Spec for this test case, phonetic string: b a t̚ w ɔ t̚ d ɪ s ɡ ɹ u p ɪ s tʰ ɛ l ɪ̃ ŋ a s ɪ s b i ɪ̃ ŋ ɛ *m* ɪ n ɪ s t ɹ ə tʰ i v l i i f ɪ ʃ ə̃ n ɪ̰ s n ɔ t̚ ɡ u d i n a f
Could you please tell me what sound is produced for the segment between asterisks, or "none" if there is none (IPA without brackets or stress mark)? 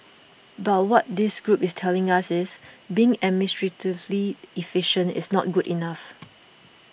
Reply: m